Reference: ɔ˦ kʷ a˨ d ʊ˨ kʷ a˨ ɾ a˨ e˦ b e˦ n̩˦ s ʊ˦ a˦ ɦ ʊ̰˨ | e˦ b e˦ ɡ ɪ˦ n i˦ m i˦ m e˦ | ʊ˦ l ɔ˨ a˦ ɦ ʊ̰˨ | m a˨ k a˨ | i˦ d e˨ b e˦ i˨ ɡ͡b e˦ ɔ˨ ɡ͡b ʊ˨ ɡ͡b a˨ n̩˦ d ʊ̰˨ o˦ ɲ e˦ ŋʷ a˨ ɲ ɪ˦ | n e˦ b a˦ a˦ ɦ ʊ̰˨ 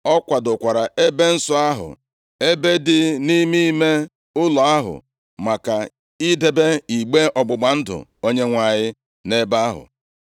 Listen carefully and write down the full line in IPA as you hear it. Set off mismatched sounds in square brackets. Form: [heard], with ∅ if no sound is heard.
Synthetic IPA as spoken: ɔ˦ kʷ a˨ d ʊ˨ kʷ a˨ ɾ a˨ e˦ b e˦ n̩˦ s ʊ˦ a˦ ɦ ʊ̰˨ | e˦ b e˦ [d] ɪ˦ n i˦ m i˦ m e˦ | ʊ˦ l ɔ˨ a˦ ɦ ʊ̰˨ | m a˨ k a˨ | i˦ d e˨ b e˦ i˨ ɡ͡b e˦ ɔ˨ ɡ͡b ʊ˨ ɡ͡b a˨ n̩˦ d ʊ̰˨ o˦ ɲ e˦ ŋʷ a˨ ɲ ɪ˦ | n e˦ b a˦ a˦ ɦ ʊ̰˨